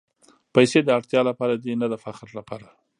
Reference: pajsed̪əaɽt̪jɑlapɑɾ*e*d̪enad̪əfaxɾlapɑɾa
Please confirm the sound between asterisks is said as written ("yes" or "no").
no